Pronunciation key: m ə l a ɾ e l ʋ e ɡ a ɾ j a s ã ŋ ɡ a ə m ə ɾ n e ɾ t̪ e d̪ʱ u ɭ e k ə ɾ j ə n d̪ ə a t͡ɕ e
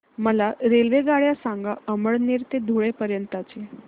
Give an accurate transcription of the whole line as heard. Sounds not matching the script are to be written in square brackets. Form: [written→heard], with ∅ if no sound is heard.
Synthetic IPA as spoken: m ə l a ɾ e l ʋ e ɡ a [ɾ→ɭ] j a s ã ŋ ɡ a ə m ə [ɾ→ɭ] n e ɾ t̪ e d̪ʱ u ɭ e [k→p] ə ɾ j ə n [d̪→t̪] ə a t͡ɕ e

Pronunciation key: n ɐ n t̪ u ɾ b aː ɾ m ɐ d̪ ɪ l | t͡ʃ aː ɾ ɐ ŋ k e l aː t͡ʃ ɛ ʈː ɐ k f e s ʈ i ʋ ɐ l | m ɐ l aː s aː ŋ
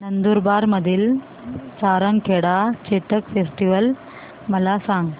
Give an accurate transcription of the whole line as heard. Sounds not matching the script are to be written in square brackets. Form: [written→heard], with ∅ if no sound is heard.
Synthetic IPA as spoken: n ɐ n [t̪→d̪] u ɾ b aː ɾ m ɐ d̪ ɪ l | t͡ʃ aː ɾ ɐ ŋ k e [l→ɽ] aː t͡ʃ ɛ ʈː ɐ k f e s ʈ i ʋ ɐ l | m ɐ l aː s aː ŋ

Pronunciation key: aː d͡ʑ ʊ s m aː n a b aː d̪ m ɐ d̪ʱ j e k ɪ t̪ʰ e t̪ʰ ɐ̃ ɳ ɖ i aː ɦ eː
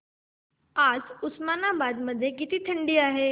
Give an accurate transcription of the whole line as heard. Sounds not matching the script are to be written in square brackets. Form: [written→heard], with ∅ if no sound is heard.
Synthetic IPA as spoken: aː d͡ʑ ʊ s m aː n a b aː d̪ m ɐ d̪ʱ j e k ɪ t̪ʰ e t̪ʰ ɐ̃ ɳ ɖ i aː ɦ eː

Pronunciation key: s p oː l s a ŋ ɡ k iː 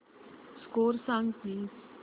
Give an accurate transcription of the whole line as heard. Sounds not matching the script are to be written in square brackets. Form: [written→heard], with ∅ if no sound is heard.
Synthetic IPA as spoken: s [p→k] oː [l→ɾ] s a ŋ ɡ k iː

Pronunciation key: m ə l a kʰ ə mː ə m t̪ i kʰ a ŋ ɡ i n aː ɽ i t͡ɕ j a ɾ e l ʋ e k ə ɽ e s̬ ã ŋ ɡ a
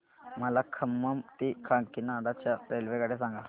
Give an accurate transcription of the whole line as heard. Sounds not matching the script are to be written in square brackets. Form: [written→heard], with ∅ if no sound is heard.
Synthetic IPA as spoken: m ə l a kʰ ə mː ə m t̪ i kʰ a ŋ [ɡ→k] i n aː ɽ [i→a] t͡ɕ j a ɾ e l ʋ e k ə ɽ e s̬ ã ŋ ɡ a

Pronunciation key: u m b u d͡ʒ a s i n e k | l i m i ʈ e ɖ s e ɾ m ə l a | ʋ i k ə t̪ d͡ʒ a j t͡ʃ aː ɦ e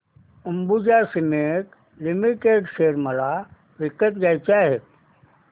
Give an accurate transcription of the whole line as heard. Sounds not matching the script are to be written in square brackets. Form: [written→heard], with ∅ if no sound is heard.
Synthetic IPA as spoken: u m b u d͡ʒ a s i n e k | l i m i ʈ e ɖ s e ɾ m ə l a | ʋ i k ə t̪ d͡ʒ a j t͡ʃ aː ɦ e

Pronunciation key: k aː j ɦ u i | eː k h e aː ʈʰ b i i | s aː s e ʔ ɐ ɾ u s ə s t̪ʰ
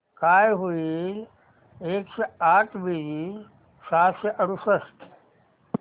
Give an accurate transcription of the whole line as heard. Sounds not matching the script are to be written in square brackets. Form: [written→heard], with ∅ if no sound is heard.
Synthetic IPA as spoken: k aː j ɦ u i | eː k [h→s] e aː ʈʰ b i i | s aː s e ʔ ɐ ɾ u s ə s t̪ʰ

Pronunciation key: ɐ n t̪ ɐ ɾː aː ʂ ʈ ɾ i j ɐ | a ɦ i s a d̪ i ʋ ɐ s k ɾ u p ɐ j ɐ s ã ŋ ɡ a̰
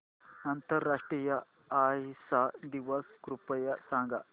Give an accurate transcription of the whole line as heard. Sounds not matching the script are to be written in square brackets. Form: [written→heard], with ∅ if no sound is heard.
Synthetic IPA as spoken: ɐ n t̪ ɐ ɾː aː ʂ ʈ ɾ i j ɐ | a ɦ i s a d̪ i ʋ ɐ s k ɾ u p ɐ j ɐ s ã ŋ ɡ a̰

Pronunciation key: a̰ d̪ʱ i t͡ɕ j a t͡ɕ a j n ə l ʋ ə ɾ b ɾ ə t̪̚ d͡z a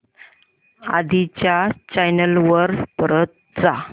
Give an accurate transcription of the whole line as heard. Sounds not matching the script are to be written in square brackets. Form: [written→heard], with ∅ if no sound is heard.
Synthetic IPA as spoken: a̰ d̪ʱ i t͡ɕ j a t͡ɕ a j n ə l ʋ ə ɾ [b→p] ɾ ə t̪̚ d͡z a

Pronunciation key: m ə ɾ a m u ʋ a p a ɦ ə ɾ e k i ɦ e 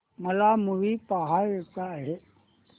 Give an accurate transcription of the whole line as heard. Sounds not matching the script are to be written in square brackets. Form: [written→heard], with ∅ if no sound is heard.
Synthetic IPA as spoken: m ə [ɾ→l] a m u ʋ [a→i] p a ɦ [ə→a] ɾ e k [i→a] ɦ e

